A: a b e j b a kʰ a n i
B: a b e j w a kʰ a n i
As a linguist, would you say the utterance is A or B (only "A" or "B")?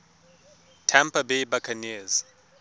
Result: A